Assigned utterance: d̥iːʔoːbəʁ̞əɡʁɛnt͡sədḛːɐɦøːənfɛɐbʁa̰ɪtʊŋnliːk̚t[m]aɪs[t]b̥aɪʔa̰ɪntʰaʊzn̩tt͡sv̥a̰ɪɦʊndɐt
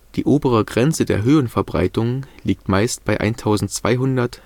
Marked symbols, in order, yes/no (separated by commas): yes, yes